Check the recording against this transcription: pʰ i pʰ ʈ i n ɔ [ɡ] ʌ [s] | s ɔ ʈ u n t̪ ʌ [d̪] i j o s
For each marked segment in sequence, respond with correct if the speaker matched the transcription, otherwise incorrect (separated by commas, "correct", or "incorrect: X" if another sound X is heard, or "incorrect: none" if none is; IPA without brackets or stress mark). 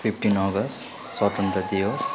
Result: correct, correct, correct